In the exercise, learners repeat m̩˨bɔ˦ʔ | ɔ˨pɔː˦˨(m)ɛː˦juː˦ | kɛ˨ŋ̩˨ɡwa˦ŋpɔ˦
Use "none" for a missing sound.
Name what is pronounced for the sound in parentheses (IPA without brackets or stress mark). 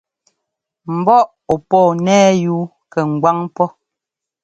n